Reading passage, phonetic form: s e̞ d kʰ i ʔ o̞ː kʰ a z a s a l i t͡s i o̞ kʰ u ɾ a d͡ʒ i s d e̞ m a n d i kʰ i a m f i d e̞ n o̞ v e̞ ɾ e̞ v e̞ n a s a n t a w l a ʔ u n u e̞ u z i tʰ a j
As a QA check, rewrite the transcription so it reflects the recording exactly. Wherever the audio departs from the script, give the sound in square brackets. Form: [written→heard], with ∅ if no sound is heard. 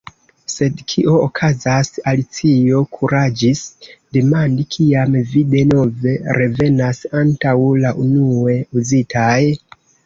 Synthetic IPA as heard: s e̞ d kʰ i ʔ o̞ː kʰ a z a s a l i t͡s i o̞ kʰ u ɾ a d͡ʒ i s d e̞ m a n d i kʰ i a m [f→v] i d e̞ n o̞ v e̞ ɾ e̞ v e̞ n a s a n t a w l a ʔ u n u e̞ u z i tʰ a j